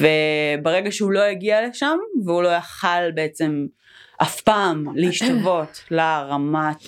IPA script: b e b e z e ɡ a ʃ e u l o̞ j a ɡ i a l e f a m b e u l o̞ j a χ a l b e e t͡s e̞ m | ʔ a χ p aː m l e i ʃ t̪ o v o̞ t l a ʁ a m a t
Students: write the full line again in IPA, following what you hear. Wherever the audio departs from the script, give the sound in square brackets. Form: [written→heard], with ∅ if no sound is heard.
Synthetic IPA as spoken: [b→v] e b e [z→ʁ] e ɡ a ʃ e u l o̞ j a ɡ i a l e [f→ʃ] a m [b→v] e u l o̞ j a χ a l b e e t͡s e̞ m | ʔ a [χ→f] p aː m l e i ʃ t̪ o v o̞ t l a ʁ a m a t